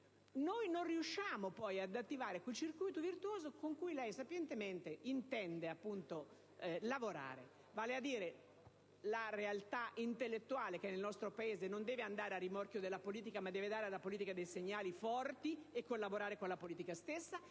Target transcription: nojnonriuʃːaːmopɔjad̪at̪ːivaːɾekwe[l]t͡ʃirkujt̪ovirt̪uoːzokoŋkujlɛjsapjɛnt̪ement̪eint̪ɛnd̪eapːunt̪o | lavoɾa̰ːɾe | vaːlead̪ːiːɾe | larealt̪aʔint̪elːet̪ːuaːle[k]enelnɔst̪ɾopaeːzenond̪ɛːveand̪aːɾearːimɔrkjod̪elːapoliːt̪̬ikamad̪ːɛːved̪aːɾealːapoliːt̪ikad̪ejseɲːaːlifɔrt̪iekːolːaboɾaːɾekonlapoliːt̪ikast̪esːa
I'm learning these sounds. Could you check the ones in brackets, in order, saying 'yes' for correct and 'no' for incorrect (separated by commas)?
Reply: yes, yes